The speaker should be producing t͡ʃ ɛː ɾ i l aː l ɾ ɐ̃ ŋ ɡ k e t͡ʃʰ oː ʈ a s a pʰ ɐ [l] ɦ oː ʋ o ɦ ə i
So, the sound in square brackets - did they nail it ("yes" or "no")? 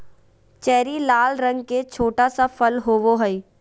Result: yes